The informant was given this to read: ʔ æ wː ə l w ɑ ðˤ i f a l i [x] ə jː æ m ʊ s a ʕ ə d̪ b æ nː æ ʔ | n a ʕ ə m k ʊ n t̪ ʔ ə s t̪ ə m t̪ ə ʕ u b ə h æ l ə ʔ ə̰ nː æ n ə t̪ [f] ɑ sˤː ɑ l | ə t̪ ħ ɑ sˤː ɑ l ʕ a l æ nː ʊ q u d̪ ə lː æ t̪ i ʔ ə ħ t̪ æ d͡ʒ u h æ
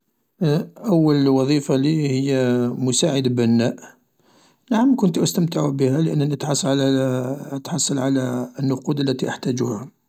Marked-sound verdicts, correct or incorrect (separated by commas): incorrect, incorrect